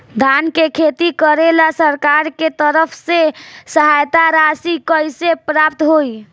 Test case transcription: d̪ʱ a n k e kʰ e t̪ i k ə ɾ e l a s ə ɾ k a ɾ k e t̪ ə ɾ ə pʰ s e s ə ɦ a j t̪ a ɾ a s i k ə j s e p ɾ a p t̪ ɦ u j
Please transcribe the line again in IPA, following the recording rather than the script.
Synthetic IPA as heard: d̪ʱ a n k e kʰ e t̪ i k ə ɾ e l a s ə ɾ k a ɾ k e t̪ ə ɾ ə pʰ s e s ə ɦ a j t̪ a ɾ a s i k ə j s e p ɾ a p t̪ ɦ o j

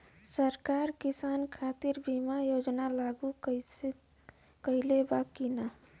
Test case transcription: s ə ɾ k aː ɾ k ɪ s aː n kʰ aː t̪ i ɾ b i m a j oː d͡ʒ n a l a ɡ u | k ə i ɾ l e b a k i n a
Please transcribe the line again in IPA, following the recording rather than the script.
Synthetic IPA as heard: s ə ɾ k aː ɾ k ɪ s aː n kʰ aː t̪ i ɾ b i m a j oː d͡ʒ n a l a ɡ u | k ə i l e b a k i n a

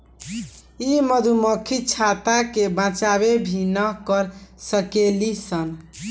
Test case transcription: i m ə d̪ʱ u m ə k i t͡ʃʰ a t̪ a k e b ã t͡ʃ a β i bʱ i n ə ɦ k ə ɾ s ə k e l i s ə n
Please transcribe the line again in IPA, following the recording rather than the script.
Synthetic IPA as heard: i m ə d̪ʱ u m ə kʰ i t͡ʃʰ a t̪ a k e b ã t͡ʃ a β e bʱ i n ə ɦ k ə ɾ s ə k e l i s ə n

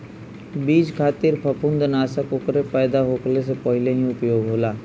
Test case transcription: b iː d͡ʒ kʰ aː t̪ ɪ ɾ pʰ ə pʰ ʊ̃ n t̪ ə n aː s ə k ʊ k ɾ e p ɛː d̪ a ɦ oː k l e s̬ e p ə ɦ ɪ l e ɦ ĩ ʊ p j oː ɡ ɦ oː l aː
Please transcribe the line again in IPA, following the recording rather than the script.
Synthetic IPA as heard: b iː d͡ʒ kʰ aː t̪ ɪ ɾ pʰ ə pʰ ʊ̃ n d̪ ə n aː s ə k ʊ k ɾ e p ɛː d̪ a ɦ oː k l e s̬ e p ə ɦ ɪ l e ɦ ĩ ʊ p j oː ɡ ɦ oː l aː

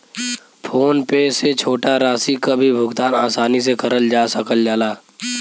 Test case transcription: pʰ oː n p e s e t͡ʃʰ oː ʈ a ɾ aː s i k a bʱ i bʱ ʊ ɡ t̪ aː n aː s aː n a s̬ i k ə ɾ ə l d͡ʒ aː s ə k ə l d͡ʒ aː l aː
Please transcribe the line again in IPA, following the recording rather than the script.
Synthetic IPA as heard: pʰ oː n p e s e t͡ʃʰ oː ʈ a ɾ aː s i k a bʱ i bʱ ʊ ɡ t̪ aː n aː s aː n i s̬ e k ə ɾ ə l d͡ʒ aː s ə k ə l d͡ʒ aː l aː

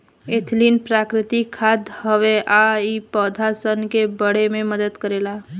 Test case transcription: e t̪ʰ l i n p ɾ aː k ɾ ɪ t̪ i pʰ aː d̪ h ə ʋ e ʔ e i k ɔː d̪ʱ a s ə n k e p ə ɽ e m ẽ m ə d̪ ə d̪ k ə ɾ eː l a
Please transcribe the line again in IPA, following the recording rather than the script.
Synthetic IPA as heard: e t̪ʰ l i n p ɾ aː k ɾ ɪ t̪ i kʰ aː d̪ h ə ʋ e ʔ a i p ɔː d̪ʱ a s ə n k e b ə ɽ e m ẽ m ə d̪ ə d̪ k ə ɾ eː l a

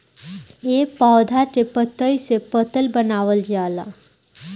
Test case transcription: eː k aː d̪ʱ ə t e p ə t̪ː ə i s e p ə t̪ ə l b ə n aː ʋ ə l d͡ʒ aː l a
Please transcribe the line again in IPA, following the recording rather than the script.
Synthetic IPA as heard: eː p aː d̪ʱ a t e p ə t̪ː ə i s e p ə t̪ ə l b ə n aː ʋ ə l d͡ʒ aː l a

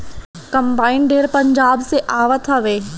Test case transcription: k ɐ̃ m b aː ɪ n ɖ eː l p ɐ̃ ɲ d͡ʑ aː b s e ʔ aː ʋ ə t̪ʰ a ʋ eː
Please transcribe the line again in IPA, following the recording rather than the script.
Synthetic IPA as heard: k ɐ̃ m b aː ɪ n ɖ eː ɾ p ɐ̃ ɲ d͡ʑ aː b s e ʔ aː ʋ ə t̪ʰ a ʋ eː

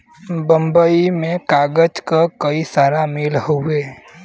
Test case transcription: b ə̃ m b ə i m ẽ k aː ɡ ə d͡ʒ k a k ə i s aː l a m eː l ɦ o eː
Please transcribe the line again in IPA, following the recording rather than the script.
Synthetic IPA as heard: b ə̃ m b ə i m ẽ k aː ɡ ə d͡ʒ k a k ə i s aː ɾ a m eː l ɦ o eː

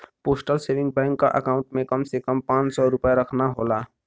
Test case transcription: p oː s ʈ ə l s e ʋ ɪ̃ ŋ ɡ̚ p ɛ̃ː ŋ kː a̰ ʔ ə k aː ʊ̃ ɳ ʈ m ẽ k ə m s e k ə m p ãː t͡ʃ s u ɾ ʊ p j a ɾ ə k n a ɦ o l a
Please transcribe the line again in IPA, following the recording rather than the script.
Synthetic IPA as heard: p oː s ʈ ə l s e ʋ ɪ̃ ŋ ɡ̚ b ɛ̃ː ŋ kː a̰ ʔ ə k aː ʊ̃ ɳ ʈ m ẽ k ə m s e k ə m p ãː t͡ʃ s ɔ ɾ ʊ p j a ɾ ə kʰ n a ɦ o l a

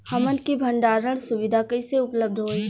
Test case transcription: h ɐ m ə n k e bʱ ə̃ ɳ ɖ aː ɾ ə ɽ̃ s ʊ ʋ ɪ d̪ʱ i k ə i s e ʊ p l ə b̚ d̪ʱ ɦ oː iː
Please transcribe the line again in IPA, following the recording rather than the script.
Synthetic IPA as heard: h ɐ m ə n k i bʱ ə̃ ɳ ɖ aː ɾ ə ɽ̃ s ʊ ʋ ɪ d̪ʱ a k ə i s e ʊ p l ə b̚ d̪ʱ ɦ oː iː

